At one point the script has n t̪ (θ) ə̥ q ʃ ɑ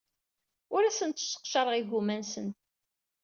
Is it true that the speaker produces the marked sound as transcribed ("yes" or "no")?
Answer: no